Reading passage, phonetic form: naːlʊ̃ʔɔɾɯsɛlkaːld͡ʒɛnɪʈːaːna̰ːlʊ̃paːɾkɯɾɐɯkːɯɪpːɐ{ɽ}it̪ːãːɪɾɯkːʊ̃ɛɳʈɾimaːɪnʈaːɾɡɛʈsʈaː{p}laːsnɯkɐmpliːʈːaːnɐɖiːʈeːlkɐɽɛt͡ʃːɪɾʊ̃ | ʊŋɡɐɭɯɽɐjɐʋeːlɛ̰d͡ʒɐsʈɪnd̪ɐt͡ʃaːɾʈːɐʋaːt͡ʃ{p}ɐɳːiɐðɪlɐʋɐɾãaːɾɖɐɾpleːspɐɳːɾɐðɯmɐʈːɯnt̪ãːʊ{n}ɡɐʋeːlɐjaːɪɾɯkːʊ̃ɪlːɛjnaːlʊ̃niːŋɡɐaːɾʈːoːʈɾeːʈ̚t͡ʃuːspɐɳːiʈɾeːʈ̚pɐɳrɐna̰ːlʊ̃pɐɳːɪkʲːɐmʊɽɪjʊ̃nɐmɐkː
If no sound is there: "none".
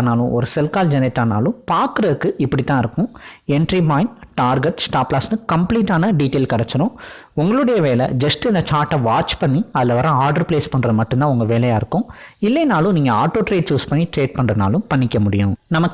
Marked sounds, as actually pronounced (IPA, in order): ɽ, p, p, ŋ

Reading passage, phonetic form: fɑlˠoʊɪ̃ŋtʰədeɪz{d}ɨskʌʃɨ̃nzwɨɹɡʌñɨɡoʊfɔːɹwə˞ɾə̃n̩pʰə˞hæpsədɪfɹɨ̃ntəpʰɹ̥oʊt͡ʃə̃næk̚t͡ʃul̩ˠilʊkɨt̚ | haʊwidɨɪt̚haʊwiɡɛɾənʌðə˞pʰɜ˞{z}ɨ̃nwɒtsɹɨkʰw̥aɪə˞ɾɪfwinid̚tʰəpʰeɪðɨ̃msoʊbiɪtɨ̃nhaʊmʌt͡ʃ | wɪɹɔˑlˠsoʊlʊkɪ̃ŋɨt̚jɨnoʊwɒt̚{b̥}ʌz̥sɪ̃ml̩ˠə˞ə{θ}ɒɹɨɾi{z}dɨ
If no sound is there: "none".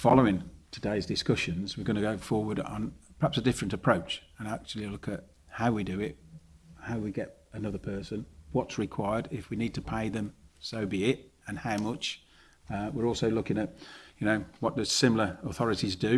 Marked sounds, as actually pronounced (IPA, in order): d, s, d̥, θ, z

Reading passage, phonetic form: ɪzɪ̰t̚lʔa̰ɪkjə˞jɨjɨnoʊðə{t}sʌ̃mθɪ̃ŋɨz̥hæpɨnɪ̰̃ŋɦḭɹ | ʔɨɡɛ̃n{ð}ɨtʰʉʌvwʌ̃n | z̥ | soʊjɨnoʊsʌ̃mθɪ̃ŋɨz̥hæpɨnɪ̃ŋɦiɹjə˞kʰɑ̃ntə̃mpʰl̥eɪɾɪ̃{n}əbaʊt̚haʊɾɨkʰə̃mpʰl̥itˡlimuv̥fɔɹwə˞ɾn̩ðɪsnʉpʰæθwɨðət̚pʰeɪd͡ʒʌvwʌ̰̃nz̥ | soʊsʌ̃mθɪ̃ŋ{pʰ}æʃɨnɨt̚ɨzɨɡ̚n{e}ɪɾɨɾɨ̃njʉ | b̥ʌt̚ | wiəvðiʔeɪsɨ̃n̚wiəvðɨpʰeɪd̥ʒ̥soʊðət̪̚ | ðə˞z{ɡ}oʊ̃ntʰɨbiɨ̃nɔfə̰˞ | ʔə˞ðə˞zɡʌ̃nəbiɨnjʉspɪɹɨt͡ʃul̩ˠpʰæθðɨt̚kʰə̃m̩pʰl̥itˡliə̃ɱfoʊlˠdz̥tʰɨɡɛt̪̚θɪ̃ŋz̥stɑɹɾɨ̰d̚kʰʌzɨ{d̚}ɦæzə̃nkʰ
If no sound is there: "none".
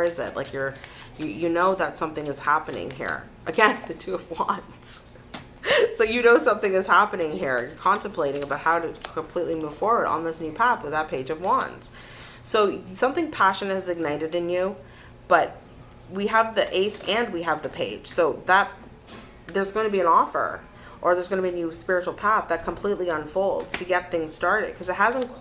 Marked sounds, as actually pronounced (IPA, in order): t, ð, ŋ, pʰ, a, ɡ, t̚

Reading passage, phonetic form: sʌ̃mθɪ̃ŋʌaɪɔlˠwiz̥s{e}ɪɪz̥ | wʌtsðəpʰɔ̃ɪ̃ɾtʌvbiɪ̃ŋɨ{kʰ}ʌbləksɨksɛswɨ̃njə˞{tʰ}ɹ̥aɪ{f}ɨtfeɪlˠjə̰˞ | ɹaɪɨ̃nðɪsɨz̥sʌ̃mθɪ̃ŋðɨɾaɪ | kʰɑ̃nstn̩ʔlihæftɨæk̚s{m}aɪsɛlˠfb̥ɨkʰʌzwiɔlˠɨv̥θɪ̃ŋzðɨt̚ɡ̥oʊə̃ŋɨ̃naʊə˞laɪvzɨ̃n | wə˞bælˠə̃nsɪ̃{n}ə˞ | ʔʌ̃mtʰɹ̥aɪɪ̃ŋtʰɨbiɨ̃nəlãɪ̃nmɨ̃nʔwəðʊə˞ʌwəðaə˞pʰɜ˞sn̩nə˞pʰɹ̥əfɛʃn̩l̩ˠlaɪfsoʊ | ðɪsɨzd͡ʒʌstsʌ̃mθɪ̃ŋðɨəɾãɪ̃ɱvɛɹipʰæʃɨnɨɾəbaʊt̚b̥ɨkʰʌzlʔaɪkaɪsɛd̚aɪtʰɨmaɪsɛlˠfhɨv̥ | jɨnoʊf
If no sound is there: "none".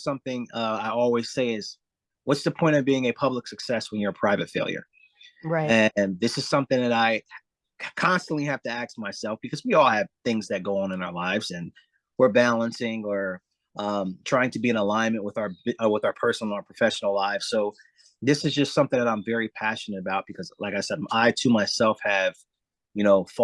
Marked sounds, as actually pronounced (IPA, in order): e, pʰ, pʰ, v, m, ŋ

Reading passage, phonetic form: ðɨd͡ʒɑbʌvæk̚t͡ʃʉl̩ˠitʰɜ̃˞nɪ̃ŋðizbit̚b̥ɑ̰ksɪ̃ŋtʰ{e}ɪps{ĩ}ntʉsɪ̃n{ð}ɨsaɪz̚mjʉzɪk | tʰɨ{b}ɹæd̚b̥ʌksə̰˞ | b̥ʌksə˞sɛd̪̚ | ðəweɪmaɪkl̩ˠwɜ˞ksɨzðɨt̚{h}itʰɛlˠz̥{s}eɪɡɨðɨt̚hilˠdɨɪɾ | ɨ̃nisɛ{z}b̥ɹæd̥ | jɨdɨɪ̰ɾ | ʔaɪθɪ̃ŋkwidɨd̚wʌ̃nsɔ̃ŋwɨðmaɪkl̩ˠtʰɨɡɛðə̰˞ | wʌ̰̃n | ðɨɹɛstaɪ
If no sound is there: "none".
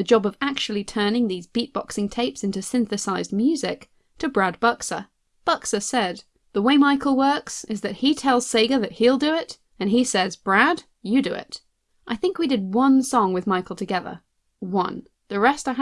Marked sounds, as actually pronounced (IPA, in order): e, ɪ̃, θ, b, h, s, z

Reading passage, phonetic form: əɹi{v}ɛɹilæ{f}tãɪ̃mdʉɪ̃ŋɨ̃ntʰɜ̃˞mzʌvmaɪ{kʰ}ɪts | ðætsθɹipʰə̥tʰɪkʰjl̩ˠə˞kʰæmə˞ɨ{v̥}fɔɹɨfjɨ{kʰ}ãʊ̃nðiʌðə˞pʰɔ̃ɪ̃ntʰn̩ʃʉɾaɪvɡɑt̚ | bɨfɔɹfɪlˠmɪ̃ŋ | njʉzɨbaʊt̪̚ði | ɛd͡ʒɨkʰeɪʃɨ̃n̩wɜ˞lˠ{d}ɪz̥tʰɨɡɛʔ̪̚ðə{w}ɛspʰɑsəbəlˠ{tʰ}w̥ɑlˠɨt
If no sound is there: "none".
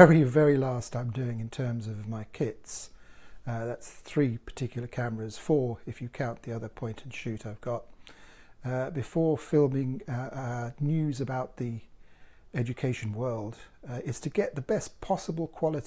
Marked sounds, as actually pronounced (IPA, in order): v, s, kʰ, z̥, kʰ, d, b, kʰ

